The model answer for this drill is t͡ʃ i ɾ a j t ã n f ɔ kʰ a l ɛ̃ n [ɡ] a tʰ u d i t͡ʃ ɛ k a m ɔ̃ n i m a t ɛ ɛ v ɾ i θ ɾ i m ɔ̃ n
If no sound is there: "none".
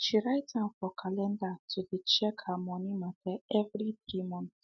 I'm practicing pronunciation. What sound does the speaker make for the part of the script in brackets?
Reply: d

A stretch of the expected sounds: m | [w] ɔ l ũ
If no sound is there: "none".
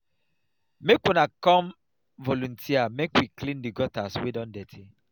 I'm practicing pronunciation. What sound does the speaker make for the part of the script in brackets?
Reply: v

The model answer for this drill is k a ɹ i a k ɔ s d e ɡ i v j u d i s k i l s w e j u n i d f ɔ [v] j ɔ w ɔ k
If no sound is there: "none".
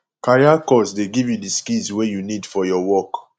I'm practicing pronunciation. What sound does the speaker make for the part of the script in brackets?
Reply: none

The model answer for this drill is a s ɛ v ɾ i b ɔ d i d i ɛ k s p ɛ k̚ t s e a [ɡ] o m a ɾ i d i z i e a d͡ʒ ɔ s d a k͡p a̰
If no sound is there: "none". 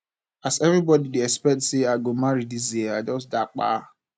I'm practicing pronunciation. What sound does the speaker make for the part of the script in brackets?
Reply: ɡ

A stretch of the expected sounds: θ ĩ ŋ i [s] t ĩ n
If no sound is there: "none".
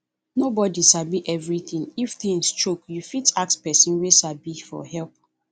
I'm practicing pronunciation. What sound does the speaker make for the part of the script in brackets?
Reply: f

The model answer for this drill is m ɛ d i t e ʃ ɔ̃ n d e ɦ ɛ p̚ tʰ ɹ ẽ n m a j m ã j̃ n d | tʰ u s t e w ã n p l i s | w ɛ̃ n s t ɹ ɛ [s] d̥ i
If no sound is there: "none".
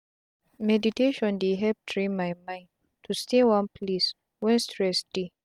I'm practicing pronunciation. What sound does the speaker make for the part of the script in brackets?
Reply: s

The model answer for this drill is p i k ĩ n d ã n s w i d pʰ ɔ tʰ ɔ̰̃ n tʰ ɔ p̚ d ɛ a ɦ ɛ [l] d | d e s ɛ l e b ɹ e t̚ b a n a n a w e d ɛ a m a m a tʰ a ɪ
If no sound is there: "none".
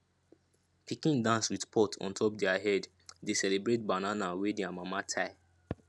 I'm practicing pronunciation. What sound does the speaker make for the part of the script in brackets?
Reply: none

